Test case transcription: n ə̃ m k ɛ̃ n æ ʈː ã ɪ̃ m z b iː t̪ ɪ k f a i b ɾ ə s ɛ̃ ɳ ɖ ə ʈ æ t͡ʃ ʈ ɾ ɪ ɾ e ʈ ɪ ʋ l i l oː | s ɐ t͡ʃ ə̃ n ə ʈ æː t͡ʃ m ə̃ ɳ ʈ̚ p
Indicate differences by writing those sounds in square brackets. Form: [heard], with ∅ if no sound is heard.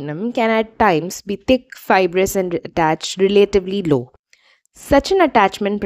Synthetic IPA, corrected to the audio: n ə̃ m k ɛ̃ n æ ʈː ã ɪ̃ m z b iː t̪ ɪ k f a [ɪ] b ɾ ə s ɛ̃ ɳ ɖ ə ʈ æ t͡ʃ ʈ ɾ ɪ [l] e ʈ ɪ ʋ l i l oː | s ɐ t͡ʃ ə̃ n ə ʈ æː t͡ʃ m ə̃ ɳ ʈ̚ p

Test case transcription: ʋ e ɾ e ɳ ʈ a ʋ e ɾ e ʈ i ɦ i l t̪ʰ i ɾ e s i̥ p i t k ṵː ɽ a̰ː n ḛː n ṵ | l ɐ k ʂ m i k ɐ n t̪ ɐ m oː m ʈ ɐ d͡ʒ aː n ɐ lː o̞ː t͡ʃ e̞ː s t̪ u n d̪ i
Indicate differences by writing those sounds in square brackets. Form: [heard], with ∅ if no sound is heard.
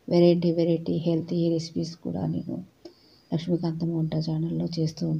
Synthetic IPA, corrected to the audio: ʋ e ɾ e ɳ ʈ [i] ʋ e ɾ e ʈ i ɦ [e] l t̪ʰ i ɾ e s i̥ p i [s] k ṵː ɽ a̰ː n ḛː n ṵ | l ɐ k ʂ m i k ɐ n t̪ ɐ m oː [ɳ] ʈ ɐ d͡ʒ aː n ɐ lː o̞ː t͡ʃ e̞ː s t̪ u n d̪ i

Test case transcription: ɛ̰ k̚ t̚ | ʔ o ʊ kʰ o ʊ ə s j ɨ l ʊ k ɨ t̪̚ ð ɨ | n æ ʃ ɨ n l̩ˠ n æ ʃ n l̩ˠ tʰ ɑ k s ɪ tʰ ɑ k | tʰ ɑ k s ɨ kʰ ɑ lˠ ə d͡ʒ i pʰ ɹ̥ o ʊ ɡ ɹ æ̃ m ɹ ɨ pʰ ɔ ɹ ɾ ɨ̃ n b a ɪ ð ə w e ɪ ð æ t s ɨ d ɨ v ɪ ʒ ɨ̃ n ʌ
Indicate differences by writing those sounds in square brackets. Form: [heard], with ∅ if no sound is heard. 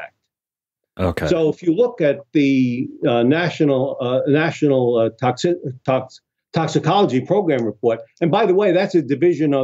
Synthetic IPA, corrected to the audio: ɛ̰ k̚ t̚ | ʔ o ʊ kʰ o ʊ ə [f] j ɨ l ʊ k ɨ t̪̚ ð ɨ | n æ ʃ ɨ n l̩ˠ n æ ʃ n l̩ˠ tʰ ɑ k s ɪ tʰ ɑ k | tʰ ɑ k s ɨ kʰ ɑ lˠ ə d͡ʒ i pʰ ɹ̥ o ʊ ɡ ɹ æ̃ m ɹ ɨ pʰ ɔ ɹ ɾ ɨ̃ n b a ɪ ð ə w e ɪ ð æ t s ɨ d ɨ v ɪ ʒ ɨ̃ n ʌ

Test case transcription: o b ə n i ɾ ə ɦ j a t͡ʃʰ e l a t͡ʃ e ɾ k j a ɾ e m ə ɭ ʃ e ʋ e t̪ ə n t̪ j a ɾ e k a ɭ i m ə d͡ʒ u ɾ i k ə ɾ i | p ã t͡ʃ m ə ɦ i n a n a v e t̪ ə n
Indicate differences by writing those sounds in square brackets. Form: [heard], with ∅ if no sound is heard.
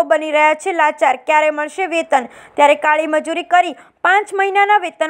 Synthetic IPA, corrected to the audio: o b ə n i ɾ ə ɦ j a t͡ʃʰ e l a t͡ʃ [a] ɾ k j a ɾ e m ə ɭ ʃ e ʋ e t̪ ə n t̪ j a ɾ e k a ɭ i m ə d͡ʒ u ɾ i k ə ɾ i | p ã t͡ʃ m ə ɦ i n a n a [ʋ] e t̪ ə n

